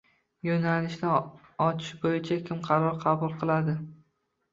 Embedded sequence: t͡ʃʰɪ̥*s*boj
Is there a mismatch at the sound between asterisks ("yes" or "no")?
yes